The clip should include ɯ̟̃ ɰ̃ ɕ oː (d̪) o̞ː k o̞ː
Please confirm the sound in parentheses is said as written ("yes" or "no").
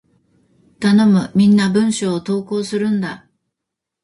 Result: no